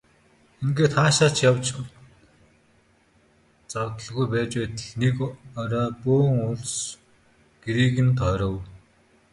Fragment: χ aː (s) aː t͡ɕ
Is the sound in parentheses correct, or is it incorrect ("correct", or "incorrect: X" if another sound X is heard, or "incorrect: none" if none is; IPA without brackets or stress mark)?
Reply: incorrect: ʃ